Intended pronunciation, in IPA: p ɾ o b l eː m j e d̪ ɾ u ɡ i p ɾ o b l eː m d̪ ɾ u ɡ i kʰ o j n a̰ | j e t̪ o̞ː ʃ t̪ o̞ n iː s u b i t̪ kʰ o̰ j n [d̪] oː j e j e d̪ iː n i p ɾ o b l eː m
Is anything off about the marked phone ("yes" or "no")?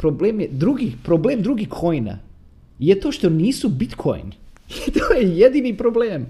yes